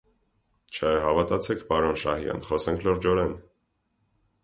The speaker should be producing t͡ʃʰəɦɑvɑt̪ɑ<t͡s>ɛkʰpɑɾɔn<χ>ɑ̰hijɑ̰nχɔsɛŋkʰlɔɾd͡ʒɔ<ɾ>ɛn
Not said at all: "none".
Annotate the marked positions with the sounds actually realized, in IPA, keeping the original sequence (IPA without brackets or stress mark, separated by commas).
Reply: t͡sʰ, ʃ, ɾ